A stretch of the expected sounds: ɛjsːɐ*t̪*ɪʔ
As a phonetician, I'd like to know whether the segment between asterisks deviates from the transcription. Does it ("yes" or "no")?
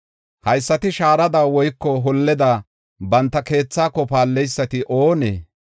no